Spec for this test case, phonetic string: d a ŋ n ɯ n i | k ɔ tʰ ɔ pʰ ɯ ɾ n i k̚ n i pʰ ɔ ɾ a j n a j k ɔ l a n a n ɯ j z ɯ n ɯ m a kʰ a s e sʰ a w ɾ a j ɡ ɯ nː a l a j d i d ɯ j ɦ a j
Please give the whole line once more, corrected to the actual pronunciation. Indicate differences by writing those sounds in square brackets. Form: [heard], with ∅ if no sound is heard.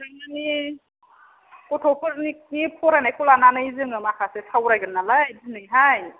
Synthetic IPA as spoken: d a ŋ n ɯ n i | k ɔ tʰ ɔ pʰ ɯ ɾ n i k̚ n i pʰ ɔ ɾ a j n a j k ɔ l a n a n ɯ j z ɯ [ŋ] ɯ m a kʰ a s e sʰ a w ɾ a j ɡ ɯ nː a l a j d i [n] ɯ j ɦ a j